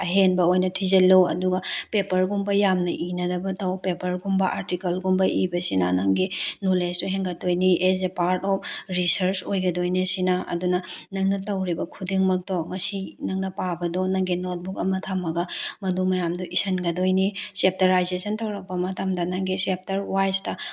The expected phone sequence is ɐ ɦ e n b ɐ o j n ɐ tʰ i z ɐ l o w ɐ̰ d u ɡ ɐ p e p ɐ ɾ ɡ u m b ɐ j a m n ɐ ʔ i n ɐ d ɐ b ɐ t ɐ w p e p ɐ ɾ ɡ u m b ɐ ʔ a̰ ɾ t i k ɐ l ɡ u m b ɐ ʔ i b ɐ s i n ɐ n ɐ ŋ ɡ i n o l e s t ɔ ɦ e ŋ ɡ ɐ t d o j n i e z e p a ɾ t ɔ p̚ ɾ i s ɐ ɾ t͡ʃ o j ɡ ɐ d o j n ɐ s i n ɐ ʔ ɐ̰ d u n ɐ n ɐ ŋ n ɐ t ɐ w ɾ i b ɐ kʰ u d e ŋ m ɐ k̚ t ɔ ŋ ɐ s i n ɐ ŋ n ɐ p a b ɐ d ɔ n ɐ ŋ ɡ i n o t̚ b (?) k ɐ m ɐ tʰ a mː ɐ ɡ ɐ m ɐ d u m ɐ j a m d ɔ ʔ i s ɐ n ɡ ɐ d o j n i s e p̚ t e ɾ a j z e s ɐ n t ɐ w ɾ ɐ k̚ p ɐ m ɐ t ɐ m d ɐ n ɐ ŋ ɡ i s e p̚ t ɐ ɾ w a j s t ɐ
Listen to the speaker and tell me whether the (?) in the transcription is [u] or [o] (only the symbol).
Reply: u